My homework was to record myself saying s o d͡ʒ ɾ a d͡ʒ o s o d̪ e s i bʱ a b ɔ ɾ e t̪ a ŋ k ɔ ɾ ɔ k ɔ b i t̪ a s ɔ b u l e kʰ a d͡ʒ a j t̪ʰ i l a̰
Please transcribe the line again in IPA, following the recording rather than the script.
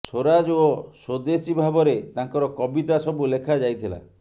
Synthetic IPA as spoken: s o ɾ a d͡ʒ o s o d̪ e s i bʱ a b ɔ ɾ e t̪ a ŋ k ɔ ɾ ɔ k ɔ b i t̪ a s ɔ b u l e kʰ a d͡ʒ a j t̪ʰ i l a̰